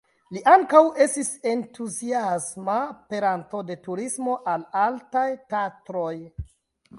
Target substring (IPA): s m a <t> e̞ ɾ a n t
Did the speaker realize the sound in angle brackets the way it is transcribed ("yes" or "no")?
no